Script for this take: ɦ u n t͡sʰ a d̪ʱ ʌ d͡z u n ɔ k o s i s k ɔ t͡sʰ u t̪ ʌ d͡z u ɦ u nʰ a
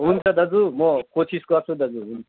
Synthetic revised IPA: ɦ u n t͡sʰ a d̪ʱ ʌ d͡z u m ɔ k o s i s k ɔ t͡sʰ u d̪ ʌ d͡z u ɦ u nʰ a